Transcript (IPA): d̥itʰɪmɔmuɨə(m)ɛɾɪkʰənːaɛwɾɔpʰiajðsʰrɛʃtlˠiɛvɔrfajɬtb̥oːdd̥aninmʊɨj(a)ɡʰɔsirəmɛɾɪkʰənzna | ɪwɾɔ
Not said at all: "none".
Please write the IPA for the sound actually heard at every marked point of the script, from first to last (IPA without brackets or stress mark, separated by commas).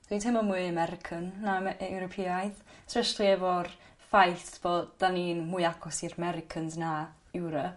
m, a